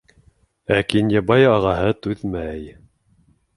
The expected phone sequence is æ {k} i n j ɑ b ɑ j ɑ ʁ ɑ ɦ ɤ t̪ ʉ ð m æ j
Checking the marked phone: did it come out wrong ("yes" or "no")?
no